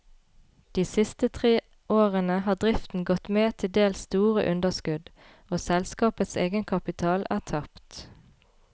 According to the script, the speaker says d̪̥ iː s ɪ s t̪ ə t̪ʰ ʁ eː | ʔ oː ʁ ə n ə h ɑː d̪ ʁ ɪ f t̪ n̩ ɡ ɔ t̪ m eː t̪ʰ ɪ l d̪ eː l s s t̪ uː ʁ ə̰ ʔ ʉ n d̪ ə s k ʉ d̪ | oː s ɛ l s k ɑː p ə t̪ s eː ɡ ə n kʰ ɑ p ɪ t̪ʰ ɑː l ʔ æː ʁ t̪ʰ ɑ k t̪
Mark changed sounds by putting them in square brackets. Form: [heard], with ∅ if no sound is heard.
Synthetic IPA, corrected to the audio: d̪̥ iː s ɪ s t̪ ə t̪ʰ ʁ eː | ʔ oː ʁ ə n ə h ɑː d̪ ʁ ɪ f t̪ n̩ ɡ ɔ t̪ m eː t̪ʰ ɪ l d̪ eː l s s t̪ uː ʁ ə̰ ʔ ʉ n d̪ ə s k ʉ d̪ | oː s ɛ l s k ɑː p ə t̪ s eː ɡ ə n kʰ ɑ p ɪ t̪ʰ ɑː l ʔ æː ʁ t̪ʰ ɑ [p] t̪